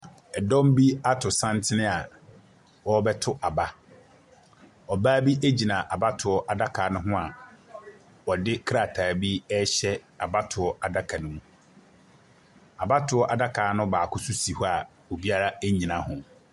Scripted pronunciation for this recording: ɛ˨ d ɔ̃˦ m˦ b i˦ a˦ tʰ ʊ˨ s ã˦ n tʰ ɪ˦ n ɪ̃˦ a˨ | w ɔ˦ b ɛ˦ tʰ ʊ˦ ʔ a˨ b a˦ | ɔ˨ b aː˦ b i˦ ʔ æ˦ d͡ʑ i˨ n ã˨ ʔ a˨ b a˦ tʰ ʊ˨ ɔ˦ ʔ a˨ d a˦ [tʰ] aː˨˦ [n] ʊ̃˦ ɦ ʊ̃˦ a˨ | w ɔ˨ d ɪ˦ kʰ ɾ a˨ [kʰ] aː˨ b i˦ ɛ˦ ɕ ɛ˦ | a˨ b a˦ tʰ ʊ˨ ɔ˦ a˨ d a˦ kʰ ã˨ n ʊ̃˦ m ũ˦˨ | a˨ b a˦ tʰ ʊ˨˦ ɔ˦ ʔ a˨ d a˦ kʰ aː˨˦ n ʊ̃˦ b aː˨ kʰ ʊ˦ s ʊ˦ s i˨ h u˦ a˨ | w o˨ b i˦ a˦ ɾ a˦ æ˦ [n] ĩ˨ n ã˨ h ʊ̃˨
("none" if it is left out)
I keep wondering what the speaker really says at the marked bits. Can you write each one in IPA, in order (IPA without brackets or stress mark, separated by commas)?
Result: kʰ, n, tʰ, ɲ